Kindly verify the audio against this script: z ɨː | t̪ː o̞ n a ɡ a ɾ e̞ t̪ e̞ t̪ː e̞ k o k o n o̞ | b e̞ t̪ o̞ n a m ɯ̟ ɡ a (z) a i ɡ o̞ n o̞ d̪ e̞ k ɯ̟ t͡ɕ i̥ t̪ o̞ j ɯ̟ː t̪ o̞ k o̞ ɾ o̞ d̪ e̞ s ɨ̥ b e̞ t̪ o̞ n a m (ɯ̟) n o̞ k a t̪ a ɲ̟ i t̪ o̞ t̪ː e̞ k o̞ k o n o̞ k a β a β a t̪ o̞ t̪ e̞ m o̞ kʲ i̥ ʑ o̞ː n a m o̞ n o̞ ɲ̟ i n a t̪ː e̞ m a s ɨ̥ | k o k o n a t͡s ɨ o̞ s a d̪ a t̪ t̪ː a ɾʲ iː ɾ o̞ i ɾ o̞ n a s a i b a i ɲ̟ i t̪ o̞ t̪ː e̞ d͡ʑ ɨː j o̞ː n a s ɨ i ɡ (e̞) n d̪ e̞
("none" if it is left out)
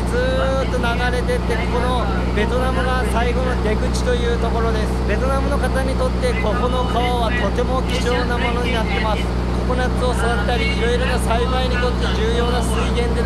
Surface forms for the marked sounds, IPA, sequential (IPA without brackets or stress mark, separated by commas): s, ɯ̟, ẽ̞